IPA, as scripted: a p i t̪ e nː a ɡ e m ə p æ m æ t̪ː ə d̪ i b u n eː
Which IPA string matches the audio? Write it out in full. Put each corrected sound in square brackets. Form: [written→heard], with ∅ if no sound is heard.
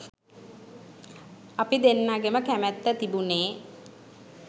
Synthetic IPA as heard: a p i [t̪→d̪] e nː a ɡ e m ə [p→k] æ m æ t̪ː ə [d̪→t̪] i b u n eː